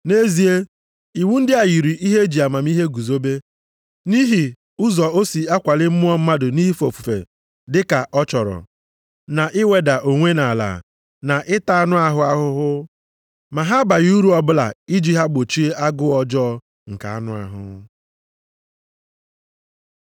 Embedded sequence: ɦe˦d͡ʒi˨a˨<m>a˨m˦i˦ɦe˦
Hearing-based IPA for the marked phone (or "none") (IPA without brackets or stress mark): m